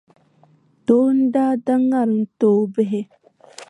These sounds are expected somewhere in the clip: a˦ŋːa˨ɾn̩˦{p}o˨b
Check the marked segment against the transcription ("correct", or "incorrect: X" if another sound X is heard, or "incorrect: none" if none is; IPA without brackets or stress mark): incorrect: t